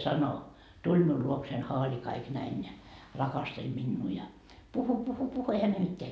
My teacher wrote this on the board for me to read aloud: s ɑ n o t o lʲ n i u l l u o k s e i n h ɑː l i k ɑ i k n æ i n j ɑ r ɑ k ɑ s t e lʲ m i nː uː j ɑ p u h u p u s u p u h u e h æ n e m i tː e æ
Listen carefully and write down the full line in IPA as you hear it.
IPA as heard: s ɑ n o t u lʲ m i u l l u o k s e i n h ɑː l i k ɑ i k n æ i n j ɑ r ɑ k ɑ s t e lʲ m i nː uː j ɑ p u h u p u h u p u h u e h æ n e m i tː e æ